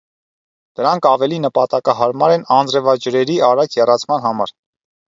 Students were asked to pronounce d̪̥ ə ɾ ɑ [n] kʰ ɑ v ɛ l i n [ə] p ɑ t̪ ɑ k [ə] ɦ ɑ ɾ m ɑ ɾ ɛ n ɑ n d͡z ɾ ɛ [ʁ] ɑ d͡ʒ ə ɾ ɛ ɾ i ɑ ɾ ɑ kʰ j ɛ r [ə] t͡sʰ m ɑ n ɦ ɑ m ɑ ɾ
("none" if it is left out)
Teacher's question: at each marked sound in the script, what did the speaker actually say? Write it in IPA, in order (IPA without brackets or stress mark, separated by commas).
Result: ŋ, ə, ɑ, v, ɑ